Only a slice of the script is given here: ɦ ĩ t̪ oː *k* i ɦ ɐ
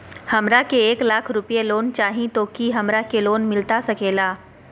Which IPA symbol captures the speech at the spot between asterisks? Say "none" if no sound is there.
k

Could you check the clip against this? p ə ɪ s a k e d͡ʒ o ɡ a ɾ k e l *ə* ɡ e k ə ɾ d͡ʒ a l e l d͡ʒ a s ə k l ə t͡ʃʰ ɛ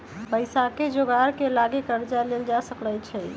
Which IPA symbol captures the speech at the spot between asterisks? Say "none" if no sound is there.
a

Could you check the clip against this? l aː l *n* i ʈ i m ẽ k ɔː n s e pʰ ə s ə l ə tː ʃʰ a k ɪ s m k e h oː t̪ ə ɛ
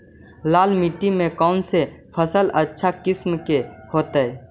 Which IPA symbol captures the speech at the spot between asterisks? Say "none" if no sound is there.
m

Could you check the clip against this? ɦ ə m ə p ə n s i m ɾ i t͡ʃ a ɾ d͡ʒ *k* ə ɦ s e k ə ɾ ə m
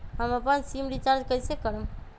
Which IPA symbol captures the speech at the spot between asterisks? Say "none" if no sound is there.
k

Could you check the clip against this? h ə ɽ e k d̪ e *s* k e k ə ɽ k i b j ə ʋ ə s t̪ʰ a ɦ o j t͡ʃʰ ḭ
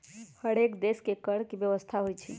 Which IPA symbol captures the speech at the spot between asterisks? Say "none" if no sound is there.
s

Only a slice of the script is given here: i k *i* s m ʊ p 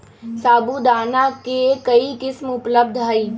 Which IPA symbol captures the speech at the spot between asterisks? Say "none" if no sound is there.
ɪ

